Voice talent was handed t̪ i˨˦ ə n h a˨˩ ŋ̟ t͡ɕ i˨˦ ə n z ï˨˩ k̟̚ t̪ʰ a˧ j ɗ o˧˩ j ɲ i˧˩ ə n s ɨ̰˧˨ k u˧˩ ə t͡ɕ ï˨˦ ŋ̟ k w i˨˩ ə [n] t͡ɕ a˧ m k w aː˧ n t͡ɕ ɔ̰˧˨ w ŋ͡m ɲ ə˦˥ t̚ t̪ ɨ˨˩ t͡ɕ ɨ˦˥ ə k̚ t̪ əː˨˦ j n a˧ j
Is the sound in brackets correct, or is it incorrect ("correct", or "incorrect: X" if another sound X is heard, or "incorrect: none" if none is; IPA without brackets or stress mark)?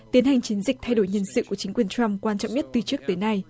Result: correct